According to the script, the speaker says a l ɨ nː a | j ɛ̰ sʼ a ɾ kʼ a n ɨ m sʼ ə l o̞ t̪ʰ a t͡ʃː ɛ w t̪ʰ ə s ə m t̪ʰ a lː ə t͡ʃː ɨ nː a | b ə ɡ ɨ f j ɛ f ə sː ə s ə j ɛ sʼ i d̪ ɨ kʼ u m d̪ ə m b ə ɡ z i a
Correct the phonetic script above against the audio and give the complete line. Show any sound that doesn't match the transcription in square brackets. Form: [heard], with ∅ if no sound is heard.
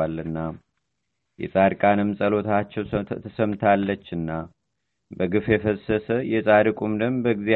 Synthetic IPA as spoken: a l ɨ nː a | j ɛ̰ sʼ a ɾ kʼ a n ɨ m sʼ ə l o̞ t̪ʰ a t͡ʃː ɛ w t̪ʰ ə s ə m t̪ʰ a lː ə t͡ʃː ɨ nː a | b ə ɡ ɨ f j ɛ f ə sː ə s ə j ɛ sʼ [a] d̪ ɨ kʼ u m d̪ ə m b ə ɡ z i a